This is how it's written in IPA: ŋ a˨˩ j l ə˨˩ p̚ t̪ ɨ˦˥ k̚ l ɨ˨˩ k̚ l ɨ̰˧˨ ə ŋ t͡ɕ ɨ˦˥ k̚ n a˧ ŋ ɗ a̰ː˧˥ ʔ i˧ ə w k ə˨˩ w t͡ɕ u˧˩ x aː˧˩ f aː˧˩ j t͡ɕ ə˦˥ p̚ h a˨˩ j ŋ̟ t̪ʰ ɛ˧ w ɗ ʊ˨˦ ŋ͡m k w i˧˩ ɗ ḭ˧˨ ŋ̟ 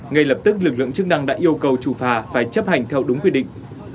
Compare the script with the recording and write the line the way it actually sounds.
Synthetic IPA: ŋ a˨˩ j l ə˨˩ p̚ t̪ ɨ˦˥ k̚ l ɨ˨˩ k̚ l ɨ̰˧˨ ə ŋ t͡ɕ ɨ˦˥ k̚ n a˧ ŋ ɗ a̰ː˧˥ ʔ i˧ ə w k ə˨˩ w t͡ɕ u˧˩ f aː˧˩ f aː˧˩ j t͡ɕ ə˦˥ p̚ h a˨˩ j ŋ̟ t̪ʰ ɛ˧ w ɗ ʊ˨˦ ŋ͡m k w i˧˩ ɗ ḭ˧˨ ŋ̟